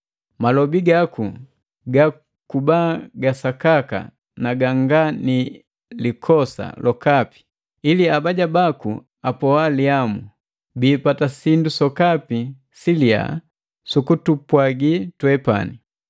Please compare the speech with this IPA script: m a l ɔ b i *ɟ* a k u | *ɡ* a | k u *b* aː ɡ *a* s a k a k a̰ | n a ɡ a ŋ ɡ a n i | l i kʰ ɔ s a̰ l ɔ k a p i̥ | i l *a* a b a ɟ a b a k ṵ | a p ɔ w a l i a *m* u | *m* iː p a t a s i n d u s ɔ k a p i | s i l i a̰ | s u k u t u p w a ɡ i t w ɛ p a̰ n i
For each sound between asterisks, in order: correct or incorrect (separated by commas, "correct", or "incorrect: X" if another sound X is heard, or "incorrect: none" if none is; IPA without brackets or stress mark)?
incorrect: ɡ, correct, correct, correct, incorrect: i, correct, incorrect: b